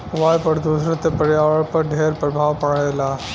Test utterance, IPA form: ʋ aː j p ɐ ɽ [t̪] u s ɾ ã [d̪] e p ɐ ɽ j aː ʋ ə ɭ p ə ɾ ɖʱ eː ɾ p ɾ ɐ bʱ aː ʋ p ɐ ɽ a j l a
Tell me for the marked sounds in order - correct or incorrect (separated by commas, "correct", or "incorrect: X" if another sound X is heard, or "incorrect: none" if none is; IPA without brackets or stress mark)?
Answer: incorrect: d̪, incorrect: t̪